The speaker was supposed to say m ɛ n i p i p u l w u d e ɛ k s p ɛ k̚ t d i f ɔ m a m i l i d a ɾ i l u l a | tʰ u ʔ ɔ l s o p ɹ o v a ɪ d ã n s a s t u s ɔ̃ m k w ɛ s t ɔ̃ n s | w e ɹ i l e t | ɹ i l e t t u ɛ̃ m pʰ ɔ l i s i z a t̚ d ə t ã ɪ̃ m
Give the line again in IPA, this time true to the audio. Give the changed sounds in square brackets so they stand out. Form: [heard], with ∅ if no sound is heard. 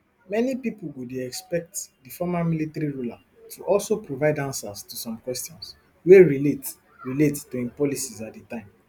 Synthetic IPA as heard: m ɛ n i p i p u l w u d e ɛ k s p ɛ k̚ t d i f ɔ m a m i l i [t] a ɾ i [ɹ] u l a | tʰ u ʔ ɔ l s o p ɹ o v a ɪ d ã n s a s t u s ɔ̃ m k w ɛ s t ɔ̃ n s | w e ɹ i l e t | ɹ i l e t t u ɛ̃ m [p] ɔ l i s i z a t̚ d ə t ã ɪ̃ m